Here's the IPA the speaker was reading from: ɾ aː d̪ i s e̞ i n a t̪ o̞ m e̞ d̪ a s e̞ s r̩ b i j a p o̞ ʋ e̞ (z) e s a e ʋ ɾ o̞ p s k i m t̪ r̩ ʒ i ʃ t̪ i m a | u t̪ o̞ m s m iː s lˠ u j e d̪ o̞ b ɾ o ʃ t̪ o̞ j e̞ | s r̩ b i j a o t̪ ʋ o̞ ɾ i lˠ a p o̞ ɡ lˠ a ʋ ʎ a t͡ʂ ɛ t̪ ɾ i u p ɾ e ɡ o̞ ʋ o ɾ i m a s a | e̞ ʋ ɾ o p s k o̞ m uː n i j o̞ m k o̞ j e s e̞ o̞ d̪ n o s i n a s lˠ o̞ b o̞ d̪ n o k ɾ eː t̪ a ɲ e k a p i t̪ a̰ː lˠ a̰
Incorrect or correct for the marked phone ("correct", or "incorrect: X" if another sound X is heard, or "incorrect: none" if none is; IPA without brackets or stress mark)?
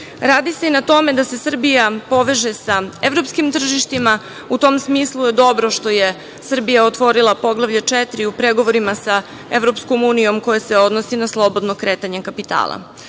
incorrect: ʒ